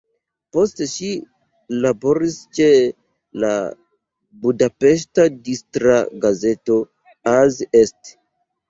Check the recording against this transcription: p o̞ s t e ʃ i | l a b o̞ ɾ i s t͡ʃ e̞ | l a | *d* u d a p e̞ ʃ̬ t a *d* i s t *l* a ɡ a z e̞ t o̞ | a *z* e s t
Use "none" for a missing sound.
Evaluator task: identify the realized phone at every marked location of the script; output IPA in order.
b, d, ɾ, z

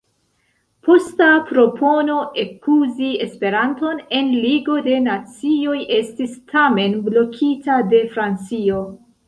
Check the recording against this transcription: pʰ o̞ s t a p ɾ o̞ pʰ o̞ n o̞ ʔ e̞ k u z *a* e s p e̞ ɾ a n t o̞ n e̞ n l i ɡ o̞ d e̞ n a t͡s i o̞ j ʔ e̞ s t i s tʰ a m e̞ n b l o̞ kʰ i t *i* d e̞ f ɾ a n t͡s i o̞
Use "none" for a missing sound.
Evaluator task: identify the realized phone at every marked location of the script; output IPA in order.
i, a

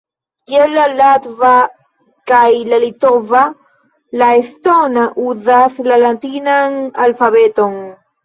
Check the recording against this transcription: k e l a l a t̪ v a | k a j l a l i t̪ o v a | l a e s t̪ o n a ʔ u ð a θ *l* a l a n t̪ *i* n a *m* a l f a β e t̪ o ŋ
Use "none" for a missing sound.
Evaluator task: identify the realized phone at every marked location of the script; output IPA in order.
l, i, ŋ

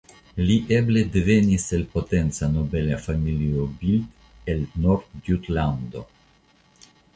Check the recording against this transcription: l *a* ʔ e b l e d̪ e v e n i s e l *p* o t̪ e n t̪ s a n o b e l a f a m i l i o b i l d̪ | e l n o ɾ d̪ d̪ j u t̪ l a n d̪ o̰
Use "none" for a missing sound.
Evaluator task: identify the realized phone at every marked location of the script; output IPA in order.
i, p

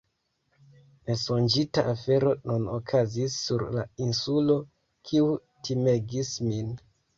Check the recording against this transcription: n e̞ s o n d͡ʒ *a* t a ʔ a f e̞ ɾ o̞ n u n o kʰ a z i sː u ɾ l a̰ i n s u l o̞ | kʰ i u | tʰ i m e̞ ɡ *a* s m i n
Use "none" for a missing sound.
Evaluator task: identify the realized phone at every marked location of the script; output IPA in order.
i, i

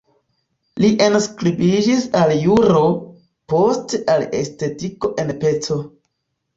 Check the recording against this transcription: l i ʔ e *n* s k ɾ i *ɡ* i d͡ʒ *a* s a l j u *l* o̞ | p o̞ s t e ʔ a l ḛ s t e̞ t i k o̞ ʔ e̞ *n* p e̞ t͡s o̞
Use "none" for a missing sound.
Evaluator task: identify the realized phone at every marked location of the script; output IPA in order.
n, b, i, ɾ, n

